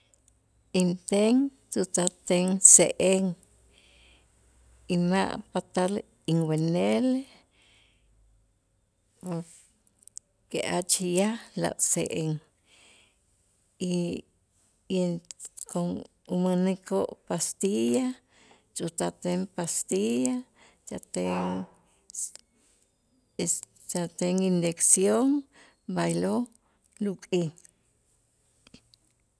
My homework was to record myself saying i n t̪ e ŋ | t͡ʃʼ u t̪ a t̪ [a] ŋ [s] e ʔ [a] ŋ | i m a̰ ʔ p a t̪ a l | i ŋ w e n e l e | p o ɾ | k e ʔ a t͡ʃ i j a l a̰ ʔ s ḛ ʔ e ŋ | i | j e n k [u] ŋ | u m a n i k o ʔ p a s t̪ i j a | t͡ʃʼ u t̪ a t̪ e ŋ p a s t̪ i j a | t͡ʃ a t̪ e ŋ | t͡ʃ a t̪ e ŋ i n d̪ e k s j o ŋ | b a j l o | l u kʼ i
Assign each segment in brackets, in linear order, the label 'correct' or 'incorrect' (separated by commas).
incorrect, correct, incorrect, incorrect